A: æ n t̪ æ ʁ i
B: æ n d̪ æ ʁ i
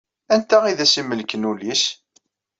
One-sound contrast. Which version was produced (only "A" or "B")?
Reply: A